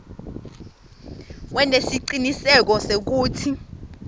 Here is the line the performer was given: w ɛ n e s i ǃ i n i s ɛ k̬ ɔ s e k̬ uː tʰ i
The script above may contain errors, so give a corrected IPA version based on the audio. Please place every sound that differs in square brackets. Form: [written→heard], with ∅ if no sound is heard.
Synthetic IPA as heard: w ɛ n e s i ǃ i n i s ɛ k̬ ɔ s e k̬ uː tʰ i